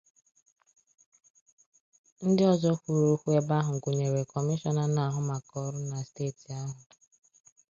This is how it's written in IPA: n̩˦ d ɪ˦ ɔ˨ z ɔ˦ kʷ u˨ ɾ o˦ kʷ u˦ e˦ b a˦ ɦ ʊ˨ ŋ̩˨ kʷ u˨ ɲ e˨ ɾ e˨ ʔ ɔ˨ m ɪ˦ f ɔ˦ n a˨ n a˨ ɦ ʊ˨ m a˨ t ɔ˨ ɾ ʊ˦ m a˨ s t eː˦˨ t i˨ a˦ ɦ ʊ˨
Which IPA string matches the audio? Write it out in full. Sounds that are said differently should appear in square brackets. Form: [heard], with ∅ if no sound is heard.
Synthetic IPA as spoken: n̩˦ d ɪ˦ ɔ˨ z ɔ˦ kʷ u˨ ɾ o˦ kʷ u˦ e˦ b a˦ ɦ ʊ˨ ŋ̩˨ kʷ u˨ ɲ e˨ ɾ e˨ [k] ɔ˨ m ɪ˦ [ʃ] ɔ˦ n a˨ n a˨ ɦ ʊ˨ m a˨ [k] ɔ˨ ɾ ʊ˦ [n] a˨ s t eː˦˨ t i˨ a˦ ɦ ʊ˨